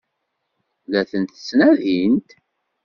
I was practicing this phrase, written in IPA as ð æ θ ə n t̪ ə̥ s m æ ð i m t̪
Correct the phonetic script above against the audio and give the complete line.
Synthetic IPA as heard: ð æ θ ə n t̪ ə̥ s n æ ð i n t̪